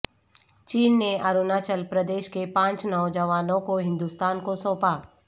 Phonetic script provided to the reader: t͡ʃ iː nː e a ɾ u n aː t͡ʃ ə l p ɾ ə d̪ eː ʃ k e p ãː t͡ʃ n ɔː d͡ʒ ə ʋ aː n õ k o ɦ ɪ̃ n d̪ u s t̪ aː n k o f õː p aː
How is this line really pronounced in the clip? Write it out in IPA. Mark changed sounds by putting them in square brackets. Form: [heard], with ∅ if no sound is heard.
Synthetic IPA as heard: t͡ʃ iː nː e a ɾ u n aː t͡ʃ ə l p ɾ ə d̪ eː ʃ k e p ãː t͡ʃ n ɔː d͡ʒ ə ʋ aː n õ k o ɦ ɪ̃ n d̪ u s t̪ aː n k o [s] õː p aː

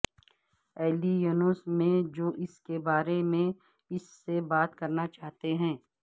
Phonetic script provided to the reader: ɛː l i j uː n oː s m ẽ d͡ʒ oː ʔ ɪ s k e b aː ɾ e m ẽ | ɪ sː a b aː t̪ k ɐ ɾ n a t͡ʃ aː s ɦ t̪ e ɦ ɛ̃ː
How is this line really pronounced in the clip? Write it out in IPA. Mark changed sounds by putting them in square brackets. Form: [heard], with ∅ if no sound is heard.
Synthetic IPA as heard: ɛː l i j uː n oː s m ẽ d͡ʒ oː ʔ ɪ s k e b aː ɾ e m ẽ | ɪ sː [e] b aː t̪ k ɐ ɾ n a t͡ʃ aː [∅] ɦ t̪ e ɦ ɛ̃ː

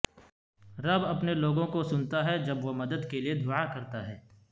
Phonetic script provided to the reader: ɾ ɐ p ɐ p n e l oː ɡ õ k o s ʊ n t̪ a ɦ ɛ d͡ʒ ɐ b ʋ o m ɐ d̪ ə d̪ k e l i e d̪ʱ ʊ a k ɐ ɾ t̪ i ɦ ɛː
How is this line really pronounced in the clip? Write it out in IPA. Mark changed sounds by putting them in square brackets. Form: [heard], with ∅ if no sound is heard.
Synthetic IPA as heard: ɾ ɐ [b] ɐ p n e l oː ɡ õ k o s ʊ n t̪ a ɦ ɛ d͡ʒ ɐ b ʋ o m ɐ d̪ ə d̪ k e l i e d̪ʱ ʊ a k ɐ ɾ t̪ [a] ɦ ɛː

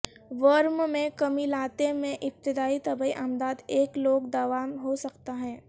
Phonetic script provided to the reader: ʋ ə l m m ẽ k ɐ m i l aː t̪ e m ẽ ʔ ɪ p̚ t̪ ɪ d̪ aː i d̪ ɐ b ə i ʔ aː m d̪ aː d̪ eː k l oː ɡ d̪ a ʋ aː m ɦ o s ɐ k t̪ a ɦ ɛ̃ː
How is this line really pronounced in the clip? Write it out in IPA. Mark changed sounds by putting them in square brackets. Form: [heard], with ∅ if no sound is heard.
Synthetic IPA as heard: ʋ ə [ɾ] m m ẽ k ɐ m i l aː t̪ e m ẽ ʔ ɪ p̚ t̪ ɪ d̪ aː i [t̪] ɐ b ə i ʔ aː m d̪ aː d̪ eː k l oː ɡ d̪ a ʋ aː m ɦ o s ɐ k t̪ a ɦ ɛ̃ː

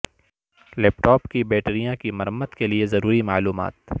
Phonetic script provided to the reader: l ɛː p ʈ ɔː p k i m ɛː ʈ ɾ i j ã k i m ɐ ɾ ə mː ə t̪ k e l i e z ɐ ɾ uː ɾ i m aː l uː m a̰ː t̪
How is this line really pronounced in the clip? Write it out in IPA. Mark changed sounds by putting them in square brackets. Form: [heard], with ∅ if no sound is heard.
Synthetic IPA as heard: l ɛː p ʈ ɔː p k i [b] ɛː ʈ ɾ i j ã k i m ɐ ɾ ə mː ə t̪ k e l i e z ɐ ɾ uː ɾ i m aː l uː m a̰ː t̪

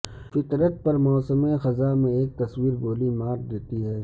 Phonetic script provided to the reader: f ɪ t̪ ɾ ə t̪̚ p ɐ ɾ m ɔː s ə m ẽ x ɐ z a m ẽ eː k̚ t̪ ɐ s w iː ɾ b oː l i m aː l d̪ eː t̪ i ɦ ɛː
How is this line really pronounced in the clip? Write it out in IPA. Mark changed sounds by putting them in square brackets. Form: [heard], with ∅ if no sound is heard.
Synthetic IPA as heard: f ɪ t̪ ɾ ə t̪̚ p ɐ ɾ m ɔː s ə m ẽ x ɐ z a m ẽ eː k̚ t̪ ɐ s w iː ɾ b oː l i m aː [ɾ] d̪ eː t̪ i ɦ ɛː

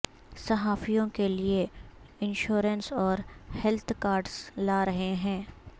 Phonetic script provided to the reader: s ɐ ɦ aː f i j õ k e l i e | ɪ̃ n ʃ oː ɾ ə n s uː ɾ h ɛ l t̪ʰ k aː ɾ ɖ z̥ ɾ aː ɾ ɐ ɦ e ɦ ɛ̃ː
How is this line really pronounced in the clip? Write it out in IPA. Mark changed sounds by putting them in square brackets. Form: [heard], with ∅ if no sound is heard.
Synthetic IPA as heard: s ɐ ɦ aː f i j õ k e l i e | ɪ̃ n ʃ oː ɾ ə n s [ɔː] ɾ h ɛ l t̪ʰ k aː ɾ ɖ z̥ [l] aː ɾ ɐ ɦ e ɦ ɛ̃ː

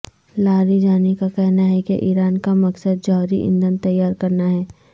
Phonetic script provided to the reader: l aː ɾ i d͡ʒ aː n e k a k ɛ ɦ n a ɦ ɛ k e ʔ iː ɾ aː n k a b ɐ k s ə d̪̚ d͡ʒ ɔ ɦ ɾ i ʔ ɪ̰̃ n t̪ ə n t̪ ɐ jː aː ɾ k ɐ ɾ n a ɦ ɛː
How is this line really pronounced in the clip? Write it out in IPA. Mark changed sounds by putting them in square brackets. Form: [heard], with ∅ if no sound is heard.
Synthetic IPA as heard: l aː ɾ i d͡ʒ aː n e k a k ɛ ɦ n a ɦ ɛ k e ʔ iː ɾ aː n k a [m] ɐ k s ə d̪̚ d͡ʒ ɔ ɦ ɾ i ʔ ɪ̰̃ n [d̪] ə n t̪ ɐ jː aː ɾ k ɐ ɾ n a ɦ ɛː

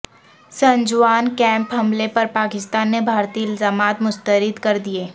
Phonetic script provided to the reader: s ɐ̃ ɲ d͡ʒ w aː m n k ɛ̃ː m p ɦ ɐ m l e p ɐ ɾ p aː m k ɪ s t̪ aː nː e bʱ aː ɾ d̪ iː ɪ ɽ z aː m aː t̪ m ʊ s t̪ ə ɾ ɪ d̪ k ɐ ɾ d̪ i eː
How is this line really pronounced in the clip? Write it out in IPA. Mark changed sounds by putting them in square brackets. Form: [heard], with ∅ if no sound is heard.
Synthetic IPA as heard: s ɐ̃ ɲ d͡ʒ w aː [∅] n k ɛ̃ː m p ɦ ɐ m l e p ɐ ɾ p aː [∅] k ɪ s t̪ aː nː e bʱ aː ɾ [t̪] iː ɪ [l] z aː m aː t̪ m ʊ s t̪ ə ɾ ɪ d̪ k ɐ ɾ d̪ i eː

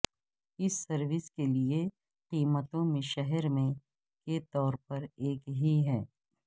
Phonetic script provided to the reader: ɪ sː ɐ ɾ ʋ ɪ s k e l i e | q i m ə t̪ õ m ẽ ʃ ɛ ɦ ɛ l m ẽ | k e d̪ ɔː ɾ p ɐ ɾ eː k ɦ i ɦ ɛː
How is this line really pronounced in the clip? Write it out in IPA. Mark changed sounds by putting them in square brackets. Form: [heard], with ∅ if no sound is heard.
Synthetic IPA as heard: ɪ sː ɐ ɾ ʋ ɪ s k e l i e | q [iː] m ə t̪ õ m ẽ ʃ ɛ ɦ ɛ [ɾ] m ẽ | k e [t̪] ɔː ɾ p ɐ ɾ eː k ɦ i ɦ ɛː

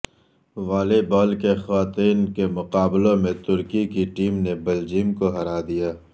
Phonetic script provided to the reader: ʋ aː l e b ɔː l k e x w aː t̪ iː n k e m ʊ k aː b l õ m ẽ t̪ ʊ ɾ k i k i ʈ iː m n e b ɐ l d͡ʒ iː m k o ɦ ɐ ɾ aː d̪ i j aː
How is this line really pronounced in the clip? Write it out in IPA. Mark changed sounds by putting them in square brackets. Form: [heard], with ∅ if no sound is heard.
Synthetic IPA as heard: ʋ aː l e b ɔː l k e x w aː t̪ iː n k e m ʊ [q] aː b l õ m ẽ t̪ ʊ ɾ k i k i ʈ iː m n e b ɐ l d͡ʒ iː m k o ɦ ɐ ɾ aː d̪ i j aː

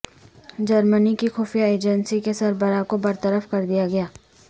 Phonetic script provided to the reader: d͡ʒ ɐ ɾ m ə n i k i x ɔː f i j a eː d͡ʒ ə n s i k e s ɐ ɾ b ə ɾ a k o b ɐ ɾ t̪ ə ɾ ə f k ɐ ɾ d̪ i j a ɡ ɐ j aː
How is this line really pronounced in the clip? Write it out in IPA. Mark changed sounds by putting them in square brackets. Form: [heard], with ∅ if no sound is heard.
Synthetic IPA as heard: d͡ʒ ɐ ɾ m ə n i k i x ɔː f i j a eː d͡ʒ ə n s i k e s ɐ ɾ b ə ɾ a k o b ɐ ɾ t̪ ə ɾ ə f k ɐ ɾ d̪ i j a ɡ ɐ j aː

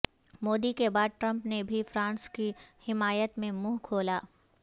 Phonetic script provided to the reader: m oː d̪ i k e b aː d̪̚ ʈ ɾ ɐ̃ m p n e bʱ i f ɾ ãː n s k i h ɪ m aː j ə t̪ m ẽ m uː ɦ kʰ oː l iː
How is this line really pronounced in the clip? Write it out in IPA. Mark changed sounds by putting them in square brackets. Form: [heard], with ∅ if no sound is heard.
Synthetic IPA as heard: m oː d̪ i k e b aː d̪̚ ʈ ɾ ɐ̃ m p n e bʱ i f ɾ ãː n s k i h ɪ m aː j ə t̪ m ẽ m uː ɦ kʰ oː l [aː]

